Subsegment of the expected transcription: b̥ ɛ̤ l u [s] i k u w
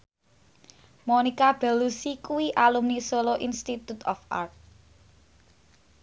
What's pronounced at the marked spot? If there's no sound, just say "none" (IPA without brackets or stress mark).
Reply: s